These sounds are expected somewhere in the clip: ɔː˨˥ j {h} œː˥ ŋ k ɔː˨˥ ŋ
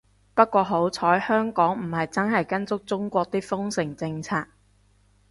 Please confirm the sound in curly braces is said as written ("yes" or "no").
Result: yes